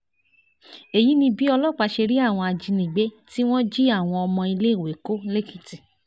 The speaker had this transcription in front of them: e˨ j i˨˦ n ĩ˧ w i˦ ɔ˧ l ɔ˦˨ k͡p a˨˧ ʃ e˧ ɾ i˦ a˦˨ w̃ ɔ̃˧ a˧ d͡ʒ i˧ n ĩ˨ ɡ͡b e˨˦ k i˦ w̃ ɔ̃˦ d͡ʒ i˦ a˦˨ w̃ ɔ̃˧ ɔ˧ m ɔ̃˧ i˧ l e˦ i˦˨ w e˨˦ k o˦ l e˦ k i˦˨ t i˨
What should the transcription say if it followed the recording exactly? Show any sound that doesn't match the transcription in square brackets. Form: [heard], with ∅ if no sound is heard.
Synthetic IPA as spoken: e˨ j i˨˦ n ĩ˧ [b] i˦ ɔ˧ l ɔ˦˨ k͡p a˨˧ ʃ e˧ ɾ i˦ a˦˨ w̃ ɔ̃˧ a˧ d͡ʒ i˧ n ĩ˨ ɡ͡b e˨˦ [t] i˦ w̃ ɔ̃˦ d͡ʒ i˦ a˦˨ w̃ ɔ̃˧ ɔ˧ m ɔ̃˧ i˧ l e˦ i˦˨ w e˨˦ k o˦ l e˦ k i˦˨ t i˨

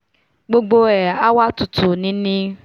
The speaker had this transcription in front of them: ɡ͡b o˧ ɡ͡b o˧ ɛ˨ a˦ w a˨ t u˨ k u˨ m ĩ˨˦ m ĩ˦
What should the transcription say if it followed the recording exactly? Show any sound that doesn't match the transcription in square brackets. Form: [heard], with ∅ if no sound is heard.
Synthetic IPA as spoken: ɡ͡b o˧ ɡ͡b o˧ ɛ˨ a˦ w [a˦] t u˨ [t] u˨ [n] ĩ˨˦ [n] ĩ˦

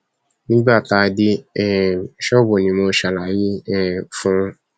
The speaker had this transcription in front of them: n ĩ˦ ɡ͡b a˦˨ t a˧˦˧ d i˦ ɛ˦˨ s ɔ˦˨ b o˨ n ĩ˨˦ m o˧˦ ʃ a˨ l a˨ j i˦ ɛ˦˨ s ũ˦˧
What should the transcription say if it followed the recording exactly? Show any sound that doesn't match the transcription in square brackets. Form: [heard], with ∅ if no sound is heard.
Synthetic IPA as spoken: n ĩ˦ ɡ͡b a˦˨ t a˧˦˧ d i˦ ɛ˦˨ [ʃ] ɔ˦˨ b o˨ n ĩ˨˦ m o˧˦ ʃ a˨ l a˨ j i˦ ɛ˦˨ [f] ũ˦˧

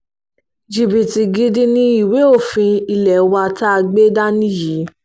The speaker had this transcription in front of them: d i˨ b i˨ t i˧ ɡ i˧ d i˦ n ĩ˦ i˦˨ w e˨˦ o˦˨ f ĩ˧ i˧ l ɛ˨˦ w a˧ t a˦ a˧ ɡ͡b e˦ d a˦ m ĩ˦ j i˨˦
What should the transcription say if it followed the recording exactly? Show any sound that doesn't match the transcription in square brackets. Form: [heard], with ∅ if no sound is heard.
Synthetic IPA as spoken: [d͡ʒ] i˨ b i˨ t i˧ ɡ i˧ d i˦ n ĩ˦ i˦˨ w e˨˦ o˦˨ f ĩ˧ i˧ l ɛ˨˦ w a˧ t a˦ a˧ ɡ͡b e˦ d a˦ [n] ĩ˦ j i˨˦

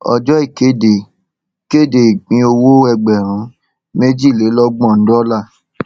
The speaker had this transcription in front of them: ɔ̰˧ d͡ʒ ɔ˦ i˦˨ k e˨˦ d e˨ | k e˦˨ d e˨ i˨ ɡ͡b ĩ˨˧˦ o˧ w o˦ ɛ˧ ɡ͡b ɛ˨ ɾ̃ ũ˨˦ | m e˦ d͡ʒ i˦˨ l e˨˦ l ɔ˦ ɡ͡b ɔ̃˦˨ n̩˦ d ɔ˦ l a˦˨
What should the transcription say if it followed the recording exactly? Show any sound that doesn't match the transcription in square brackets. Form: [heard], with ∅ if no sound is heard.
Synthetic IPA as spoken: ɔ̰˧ d͡ʒ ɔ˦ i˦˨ k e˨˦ d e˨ | k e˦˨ d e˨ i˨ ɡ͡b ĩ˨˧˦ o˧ w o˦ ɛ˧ ɡ͡b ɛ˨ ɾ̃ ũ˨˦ | m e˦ d͡ʒ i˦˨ l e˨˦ l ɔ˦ ɡ͡b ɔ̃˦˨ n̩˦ d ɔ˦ l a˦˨

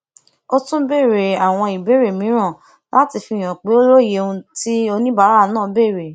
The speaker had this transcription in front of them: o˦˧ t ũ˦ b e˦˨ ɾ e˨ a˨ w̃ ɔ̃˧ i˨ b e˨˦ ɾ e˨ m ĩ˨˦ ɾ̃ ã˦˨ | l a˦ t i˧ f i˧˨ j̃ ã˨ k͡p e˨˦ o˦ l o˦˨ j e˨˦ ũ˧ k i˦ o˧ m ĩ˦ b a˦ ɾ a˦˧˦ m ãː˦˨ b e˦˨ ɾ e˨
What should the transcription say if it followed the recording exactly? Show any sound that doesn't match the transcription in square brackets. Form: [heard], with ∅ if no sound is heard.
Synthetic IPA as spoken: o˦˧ t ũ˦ b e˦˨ ɾ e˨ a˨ w̃ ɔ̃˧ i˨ b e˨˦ ɾ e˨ m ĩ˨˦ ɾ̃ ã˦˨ | l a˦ t i˧ f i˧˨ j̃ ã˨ k͡p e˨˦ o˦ l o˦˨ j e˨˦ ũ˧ [t] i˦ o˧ [n] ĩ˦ b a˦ ɾ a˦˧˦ [n] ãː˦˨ b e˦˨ ɾ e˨

